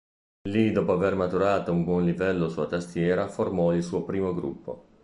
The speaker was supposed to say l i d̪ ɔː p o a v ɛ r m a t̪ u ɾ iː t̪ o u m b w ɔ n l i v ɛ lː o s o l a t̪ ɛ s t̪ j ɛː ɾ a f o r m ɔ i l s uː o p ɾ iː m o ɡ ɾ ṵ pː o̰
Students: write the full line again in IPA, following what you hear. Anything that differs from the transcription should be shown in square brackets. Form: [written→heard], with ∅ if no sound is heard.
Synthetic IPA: l i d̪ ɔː p o a v [ɛ→e] r m a t̪ u ɾ [iː→aː] t̪ o u m b w ɔ n l i v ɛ lː o s [o→u] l a t̪ [ɛ→a] s t̪ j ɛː ɾ a f o r m ɔ i l s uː o p ɾ iː m o ɡ ɾ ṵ pː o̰